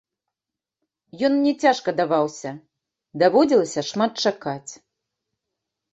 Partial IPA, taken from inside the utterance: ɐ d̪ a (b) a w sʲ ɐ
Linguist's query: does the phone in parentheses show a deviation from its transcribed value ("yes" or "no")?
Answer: yes